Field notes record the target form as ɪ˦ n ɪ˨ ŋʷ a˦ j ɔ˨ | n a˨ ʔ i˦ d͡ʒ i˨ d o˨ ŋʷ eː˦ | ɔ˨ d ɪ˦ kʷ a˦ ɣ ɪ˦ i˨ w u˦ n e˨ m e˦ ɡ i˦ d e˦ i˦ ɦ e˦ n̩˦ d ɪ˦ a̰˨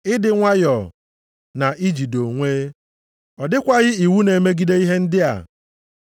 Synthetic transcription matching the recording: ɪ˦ d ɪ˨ ŋʷ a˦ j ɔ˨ | n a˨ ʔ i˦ d͡ʒ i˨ d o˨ ŋʷ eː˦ | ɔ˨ d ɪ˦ kʷ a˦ ɣ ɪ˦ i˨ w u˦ n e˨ m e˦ ɡ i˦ d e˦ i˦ ɦ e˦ n̩˦ d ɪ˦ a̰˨